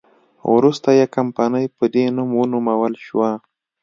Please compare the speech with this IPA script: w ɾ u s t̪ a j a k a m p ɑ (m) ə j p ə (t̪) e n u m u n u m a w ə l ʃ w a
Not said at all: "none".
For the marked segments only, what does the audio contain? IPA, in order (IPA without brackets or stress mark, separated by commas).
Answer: n, d̪